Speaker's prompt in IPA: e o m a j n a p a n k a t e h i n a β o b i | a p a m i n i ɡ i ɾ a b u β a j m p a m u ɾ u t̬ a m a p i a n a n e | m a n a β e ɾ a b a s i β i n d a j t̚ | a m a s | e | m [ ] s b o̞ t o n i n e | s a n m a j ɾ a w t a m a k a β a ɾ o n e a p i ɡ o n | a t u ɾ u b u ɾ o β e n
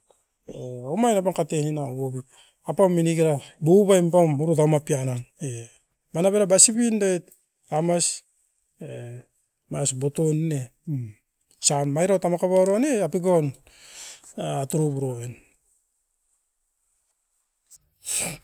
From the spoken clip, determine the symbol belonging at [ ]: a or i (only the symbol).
a